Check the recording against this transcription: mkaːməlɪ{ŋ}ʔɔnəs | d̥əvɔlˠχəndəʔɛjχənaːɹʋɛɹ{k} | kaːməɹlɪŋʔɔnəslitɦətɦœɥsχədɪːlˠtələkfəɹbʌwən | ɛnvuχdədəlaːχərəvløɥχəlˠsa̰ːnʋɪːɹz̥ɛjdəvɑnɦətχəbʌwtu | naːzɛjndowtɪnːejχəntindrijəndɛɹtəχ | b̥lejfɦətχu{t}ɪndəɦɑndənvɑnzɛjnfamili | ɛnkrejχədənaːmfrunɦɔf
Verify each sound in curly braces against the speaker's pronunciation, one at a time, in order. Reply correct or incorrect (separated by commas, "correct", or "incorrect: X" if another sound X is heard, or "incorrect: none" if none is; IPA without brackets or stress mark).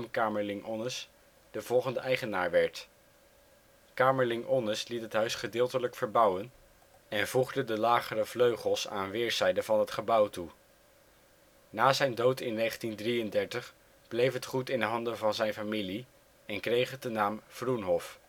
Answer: correct, incorrect: t, correct